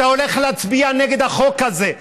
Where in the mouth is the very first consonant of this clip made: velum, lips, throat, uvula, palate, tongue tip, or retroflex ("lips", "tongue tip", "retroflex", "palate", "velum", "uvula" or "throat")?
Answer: tongue tip